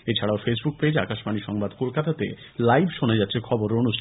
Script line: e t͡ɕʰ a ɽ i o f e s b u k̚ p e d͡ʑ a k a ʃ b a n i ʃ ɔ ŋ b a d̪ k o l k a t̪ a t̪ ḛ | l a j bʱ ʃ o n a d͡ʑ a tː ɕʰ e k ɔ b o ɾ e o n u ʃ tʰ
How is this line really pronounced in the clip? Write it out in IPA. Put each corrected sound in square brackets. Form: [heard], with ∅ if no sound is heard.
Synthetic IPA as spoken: e t͡ɕʰ a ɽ [a] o f e s b u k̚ p e d͡ʑ a k a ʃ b a n i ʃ ɔ ŋ b a d̪ k o l k a t̪ a t̪ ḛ | l a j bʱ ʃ o n a d͡ʑ a tː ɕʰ e [kʰ] ɔ b o ɾ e o n u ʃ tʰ